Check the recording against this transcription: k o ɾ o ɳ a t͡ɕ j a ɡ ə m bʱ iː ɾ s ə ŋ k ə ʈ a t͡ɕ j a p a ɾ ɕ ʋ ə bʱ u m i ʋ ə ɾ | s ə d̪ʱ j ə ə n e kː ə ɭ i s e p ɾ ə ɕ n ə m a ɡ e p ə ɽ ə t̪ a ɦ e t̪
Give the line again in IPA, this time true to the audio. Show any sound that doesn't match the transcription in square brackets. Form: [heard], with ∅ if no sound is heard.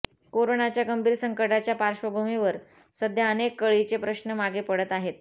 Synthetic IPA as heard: k o ɾ o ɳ a t͡ɕ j a ɡ ə m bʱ iː ɾ s ə ŋ k ə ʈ a t͡ɕ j a p a ɾ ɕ ʋ ə bʱ u m i ʋ ə ɾ | s ə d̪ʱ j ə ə n e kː ə ɭ i [t͡s] e p ɾ ə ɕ n ə m a ɡ e p ə ɽ ə t̪ a ɦ e t̪